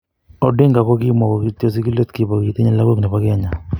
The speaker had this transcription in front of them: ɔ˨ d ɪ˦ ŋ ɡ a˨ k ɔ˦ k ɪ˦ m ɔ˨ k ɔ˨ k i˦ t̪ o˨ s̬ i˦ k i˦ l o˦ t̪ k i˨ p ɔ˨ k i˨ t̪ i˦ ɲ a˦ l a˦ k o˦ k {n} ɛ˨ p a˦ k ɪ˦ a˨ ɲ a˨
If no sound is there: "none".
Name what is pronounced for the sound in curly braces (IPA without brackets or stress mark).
n